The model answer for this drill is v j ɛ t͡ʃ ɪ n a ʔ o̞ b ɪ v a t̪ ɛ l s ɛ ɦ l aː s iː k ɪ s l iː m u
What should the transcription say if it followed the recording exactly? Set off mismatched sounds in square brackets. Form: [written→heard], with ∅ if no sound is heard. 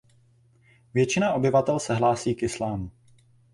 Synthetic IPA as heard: v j ɛ t͡ʃ ɪ n a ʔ o̞ b ɪ v a t̪ ɛ l s ɛ ɦ l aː s iː k ɪ s l [iː→aː] m u